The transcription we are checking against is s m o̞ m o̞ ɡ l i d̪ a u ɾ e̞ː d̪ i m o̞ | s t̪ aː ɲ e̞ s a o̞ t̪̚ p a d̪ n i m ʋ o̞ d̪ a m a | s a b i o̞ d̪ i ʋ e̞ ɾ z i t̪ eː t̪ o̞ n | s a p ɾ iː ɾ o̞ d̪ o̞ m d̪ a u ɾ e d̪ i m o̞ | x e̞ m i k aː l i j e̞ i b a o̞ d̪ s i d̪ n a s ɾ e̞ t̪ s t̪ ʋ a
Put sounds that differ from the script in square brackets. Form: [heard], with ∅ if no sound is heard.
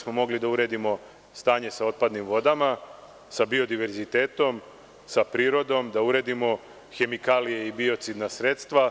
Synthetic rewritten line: s m o̞ m o̞ ɡ l i d̪ a u ɾ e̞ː d̪ i m o̞ | s t̪ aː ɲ e̞ s a o̞ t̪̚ p a d̪ n i m ʋ o̞ d̪ a m a | s a b i o̞ d̪ i ʋ e̞ ɾ z i t̪ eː t̪ o̞ [m] | s a p ɾ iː ɾ o̞ d̪ o̞ m d̪ a u ɾ e d̪ i m o̞ | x e̞ m i k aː l i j e̞ i b [i] o̞ [t̪] s i d̪ n a s ɾ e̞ t̪ s t̪ ʋ a